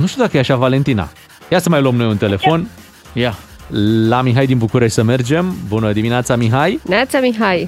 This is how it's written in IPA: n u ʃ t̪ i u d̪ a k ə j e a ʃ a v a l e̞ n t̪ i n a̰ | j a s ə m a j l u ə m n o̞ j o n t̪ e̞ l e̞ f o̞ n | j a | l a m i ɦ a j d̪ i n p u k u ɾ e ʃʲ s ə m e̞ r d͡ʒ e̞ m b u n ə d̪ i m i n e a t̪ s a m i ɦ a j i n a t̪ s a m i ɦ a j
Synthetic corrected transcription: n u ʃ t̪ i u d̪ a k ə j e a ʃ a v a l e̞ n t̪ i n a̰ | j a s ə m a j l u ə m n o̞ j u n t̪ e̞ l e̞ f o̞ n | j a | l a m i ɦ a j d̪ i n b u k u ɾ e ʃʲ s ə m e̞ r d͡ʒ e̞ m b u n ə d̪ i m i n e a t̪ s a m i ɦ a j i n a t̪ s a m i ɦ a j